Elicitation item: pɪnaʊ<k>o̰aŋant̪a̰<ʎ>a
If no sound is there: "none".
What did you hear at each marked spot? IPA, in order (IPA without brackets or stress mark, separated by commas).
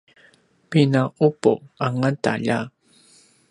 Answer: p, ʎ